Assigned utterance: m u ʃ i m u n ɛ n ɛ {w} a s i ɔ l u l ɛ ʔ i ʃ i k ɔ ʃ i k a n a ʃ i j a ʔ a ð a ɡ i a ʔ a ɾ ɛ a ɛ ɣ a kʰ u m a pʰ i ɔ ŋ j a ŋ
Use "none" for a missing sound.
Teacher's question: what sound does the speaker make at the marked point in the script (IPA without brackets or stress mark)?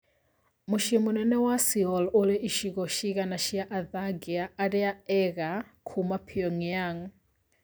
w